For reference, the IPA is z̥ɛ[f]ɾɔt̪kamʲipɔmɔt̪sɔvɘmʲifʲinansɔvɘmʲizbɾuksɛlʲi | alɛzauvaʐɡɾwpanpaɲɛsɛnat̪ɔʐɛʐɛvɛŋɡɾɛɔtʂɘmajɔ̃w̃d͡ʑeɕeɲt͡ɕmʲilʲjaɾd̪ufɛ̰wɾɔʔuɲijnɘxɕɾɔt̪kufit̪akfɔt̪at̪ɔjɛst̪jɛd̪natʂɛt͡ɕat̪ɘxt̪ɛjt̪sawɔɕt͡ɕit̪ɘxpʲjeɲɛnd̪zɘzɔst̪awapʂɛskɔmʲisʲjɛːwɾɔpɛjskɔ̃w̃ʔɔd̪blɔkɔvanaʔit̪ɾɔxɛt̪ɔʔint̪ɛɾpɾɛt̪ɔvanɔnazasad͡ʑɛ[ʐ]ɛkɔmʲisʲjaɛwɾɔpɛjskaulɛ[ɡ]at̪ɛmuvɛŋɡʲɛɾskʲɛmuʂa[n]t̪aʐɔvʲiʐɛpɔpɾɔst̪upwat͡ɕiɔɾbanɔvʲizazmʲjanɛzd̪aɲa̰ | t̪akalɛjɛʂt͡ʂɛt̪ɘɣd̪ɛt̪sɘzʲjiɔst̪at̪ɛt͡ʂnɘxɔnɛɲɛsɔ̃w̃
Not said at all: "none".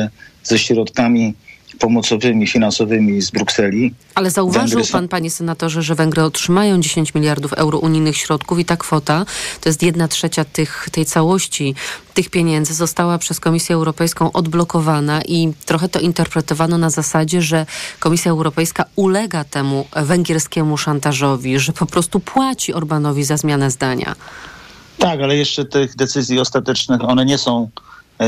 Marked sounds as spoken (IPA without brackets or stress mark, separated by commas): ɕ, ʐ, ɡ, n